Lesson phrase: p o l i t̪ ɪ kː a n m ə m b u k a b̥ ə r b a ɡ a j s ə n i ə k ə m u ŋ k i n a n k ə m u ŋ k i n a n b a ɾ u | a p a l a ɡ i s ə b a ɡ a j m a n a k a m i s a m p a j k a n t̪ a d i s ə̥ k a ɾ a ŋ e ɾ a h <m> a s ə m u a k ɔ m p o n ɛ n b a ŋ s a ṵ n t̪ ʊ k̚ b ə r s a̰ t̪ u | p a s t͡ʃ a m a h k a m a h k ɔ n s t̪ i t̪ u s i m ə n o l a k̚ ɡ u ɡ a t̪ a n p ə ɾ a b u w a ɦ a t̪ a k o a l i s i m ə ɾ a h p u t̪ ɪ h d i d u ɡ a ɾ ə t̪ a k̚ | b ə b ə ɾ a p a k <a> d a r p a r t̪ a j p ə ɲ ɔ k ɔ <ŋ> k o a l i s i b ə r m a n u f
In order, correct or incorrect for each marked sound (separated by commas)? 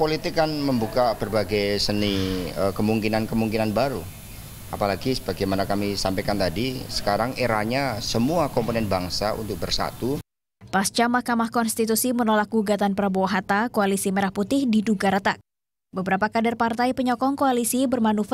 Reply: incorrect, correct, correct